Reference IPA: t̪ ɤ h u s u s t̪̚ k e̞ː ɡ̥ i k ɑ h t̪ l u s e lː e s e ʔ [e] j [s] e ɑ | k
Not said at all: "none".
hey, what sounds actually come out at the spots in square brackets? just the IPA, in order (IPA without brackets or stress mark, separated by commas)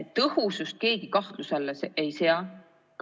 e, s